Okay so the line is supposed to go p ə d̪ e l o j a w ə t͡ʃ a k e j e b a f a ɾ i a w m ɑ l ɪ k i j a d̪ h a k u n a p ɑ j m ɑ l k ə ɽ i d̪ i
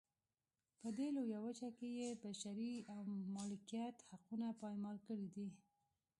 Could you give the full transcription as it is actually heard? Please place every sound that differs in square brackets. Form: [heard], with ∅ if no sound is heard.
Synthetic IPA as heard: p ə d̪ e l o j a w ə t͡ʃ a k e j e b a [ʃ] a ɾ i a w m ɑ l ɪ k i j a [t̪] h a [q] u n a p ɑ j m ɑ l k ə ɽ i d̪ i